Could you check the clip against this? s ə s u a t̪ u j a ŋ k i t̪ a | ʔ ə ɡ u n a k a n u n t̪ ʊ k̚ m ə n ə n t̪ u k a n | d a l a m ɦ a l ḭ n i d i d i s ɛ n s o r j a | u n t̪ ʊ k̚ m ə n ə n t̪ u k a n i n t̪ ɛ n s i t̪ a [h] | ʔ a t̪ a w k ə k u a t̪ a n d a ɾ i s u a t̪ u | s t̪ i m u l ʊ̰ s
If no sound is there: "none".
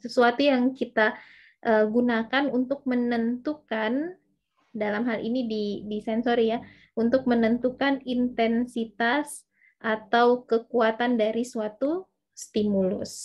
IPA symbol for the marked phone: s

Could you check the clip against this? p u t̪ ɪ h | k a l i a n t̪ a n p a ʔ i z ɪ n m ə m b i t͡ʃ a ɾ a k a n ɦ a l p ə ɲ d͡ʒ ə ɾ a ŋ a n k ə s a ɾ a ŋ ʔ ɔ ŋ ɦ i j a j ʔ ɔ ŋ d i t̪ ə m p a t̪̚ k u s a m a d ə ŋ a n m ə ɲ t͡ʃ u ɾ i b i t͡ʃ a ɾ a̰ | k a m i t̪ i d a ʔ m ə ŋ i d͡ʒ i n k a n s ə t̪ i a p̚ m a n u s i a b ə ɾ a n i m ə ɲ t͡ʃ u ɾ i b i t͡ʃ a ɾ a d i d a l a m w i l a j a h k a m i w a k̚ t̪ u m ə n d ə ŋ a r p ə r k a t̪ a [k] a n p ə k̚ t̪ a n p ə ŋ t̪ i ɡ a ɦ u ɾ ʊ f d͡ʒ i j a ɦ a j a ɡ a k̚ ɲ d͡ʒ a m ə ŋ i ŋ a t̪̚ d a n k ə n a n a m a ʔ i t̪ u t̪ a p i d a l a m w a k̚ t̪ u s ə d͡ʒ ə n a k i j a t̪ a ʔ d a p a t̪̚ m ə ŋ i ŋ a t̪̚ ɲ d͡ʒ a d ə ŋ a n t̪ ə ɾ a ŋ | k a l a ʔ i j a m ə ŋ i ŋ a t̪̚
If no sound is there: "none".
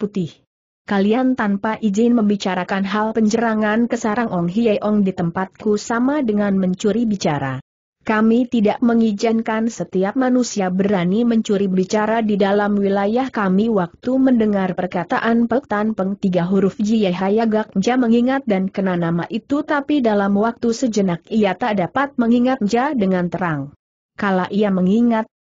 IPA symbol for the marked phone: ʔ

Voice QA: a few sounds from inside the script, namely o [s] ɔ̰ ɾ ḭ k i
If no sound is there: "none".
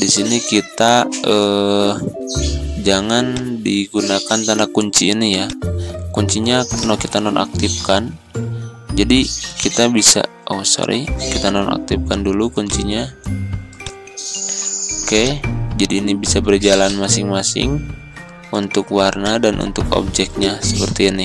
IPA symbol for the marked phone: s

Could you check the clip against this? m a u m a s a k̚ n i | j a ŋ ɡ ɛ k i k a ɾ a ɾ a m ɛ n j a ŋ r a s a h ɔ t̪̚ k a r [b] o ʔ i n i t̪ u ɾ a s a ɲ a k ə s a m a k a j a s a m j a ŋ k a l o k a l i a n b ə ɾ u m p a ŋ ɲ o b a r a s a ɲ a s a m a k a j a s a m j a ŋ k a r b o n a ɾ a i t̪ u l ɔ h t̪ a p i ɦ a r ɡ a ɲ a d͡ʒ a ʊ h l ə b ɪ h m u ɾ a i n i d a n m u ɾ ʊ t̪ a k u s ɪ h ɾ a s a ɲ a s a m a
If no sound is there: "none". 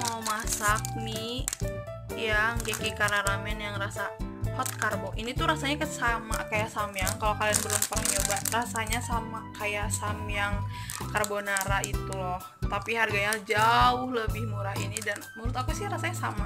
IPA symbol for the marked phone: b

